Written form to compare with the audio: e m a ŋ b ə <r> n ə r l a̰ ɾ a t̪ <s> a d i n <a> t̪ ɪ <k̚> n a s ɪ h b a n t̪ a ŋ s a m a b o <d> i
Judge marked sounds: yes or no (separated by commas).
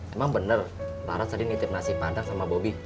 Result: no, yes, no, no, no